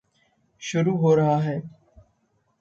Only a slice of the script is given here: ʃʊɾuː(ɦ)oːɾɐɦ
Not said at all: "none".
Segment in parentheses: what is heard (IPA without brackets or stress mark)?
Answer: ɦ